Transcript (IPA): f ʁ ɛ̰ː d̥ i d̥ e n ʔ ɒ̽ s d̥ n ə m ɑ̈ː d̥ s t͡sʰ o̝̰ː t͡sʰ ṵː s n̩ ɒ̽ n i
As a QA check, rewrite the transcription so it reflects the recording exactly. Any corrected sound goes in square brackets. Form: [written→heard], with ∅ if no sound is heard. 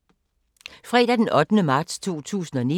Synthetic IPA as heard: f ʁ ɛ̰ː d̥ [i→æ] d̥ e n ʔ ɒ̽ [s→∅] d̥ n ə m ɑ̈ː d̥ s t͡sʰ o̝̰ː t͡sʰ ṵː s n̩ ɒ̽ n i

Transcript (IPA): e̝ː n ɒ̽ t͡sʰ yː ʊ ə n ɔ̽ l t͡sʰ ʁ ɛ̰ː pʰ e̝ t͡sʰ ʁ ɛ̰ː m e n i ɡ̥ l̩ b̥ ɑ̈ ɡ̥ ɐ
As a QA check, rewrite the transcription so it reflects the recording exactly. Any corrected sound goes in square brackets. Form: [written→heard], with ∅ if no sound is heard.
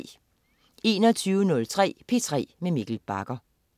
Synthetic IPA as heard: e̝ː n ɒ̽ t͡sʰ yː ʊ ə n ɔ̽ l t͡sʰ ʁ ɛ̰ː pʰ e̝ t͡sʰ ʁ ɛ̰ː m e [n→m] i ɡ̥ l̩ b̥ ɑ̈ ɡ̥ ɐ

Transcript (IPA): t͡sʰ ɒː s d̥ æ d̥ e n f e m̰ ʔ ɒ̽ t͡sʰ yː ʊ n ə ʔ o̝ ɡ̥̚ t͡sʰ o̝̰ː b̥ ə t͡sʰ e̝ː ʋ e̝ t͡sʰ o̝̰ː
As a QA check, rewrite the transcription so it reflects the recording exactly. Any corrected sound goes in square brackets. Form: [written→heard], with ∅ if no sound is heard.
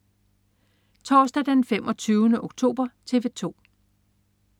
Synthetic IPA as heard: t͡sʰ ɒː s d̥ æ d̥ e n f e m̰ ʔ ɒ̽ t͡sʰ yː ʊ n ə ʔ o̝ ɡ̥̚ t͡sʰ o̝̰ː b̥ [ə→ɐ] t͡sʰ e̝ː ʋ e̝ t͡sʰ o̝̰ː

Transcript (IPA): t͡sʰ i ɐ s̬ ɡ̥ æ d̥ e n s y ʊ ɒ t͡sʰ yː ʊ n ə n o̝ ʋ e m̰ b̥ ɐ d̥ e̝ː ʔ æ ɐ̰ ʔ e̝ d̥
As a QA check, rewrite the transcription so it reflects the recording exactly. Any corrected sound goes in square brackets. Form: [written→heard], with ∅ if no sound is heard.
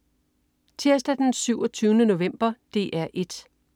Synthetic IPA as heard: t͡sʰ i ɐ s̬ [ɡ̥→d̥] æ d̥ e n s y ʊ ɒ t͡sʰ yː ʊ n ə n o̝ ʋ e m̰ b̥ ɐ d̥ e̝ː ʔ æ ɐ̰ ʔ e̝ d̥

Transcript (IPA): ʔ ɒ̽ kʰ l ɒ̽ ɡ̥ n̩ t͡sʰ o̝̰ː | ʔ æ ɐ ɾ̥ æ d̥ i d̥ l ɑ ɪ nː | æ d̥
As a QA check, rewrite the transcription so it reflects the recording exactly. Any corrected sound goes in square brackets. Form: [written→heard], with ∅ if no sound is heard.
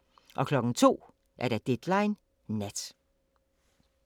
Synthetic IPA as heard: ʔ ɒ̽ kʰ l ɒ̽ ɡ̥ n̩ t͡sʰ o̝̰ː | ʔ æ ɐ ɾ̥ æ d̥ [i→e] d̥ l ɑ ɪ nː | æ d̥

